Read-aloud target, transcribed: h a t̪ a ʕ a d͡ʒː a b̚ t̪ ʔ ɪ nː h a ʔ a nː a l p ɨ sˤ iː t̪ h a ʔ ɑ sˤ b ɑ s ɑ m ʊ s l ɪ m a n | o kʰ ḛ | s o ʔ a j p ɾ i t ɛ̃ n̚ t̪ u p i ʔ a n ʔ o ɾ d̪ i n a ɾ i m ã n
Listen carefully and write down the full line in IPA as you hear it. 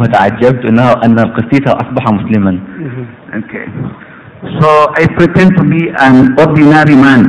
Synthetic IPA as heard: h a t̪ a ʕ a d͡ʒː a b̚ t̪ ʔ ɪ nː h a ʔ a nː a l q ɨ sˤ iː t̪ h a ʔ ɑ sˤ b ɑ ħ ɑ m ʊ s l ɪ m a n | o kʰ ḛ | s o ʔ a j p ɾ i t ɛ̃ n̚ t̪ u b i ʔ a n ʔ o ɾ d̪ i n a ɾ i m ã n